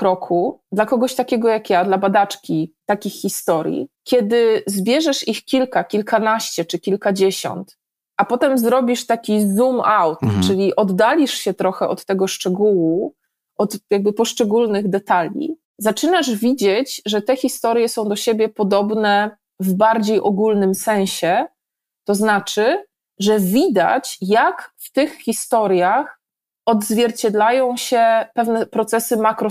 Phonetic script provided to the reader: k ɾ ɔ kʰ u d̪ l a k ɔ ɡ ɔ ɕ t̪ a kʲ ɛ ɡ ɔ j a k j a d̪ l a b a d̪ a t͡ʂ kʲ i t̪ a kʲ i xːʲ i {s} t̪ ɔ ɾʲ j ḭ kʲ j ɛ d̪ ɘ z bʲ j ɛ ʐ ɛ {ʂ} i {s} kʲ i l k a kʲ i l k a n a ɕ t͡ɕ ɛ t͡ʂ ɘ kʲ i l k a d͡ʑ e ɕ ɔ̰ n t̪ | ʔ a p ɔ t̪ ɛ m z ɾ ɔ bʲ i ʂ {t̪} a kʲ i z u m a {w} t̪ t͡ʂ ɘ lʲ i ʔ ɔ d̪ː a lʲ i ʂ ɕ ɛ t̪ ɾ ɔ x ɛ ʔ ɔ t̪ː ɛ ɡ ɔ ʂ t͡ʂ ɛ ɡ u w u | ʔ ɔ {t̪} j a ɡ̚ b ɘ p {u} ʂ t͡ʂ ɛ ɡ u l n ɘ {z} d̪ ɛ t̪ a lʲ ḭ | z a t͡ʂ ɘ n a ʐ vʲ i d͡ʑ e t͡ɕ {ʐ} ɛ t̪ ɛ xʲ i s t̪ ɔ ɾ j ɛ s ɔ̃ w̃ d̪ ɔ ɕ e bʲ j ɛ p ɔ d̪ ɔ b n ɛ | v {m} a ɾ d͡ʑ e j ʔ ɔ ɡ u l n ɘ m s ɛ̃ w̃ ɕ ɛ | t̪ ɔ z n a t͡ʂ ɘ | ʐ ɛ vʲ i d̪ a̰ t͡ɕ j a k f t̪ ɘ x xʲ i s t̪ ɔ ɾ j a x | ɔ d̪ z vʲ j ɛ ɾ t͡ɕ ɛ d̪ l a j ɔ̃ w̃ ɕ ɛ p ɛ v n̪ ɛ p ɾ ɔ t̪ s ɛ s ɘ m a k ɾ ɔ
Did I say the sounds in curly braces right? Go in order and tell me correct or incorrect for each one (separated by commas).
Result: correct, correct, incorrect, correct, correct, correct, incorrect, incorrect, correct, incorrect